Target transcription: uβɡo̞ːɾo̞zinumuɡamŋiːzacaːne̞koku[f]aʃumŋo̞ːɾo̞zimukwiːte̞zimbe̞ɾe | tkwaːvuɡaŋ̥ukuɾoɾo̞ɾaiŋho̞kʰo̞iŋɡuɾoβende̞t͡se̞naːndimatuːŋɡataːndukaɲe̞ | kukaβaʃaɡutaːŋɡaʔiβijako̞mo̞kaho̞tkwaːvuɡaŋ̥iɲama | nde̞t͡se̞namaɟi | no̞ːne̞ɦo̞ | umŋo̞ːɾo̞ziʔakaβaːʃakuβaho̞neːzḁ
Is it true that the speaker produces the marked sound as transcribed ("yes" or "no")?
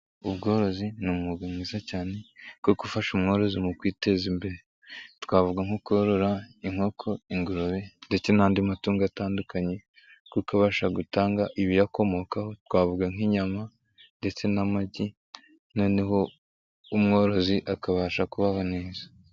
yes